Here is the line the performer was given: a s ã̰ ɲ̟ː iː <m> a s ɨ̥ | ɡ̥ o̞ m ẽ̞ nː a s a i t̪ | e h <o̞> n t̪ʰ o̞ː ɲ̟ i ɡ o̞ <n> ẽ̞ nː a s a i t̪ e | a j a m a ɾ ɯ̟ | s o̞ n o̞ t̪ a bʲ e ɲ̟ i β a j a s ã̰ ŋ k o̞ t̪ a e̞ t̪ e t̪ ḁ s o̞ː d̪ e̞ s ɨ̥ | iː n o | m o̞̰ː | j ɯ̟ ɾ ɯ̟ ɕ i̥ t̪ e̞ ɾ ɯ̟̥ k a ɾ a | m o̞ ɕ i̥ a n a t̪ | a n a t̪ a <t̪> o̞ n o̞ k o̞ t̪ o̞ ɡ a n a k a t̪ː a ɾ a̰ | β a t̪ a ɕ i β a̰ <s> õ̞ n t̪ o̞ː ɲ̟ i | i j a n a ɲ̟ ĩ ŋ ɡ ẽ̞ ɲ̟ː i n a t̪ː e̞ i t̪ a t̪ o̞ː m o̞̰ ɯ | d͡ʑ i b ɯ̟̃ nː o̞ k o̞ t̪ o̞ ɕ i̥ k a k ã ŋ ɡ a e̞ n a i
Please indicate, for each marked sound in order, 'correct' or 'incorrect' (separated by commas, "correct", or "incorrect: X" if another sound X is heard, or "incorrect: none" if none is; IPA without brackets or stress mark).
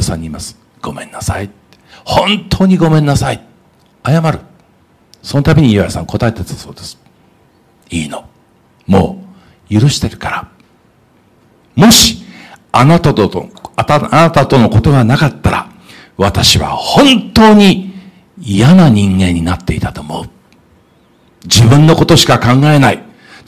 correct, incorrect: õ̞, incorrect: m, correct, incorrect: h